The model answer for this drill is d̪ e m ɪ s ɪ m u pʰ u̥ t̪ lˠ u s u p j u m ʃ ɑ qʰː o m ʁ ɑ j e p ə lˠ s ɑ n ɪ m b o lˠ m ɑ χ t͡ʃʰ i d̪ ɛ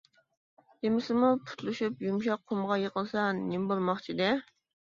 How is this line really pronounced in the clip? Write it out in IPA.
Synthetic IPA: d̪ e m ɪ s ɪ m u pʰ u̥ t̪ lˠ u ʃ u p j u m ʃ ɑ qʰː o m ʁ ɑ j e q ə lˠ s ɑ n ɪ m b o lˠ m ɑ χ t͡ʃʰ i d̪ ɛ